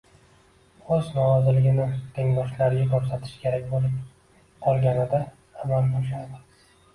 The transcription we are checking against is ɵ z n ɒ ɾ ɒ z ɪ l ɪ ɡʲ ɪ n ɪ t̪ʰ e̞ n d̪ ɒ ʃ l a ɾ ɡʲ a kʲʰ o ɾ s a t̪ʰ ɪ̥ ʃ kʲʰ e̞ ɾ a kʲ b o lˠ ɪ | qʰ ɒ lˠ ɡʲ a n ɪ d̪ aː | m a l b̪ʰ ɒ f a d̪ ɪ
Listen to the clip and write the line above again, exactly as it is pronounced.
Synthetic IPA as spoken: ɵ z n ɒ ɾ ɒ z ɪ l ɪ ɡʲ ɪ n ɪ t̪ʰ e̞ ŋ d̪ ɒ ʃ l a ɾ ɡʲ a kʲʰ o ɾ s a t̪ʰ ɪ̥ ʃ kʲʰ e̞ ɾ a kʲ b o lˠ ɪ | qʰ ɒ lˠ ɡʲ a n ɪ d̪ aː | m a l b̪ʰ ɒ ʃ a d̪ ɪ